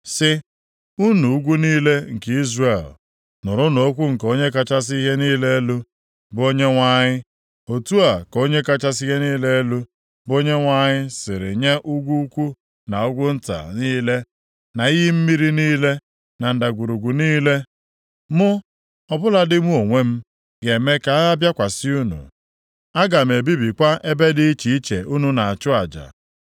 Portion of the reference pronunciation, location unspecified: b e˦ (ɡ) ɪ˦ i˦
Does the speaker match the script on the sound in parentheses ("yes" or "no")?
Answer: no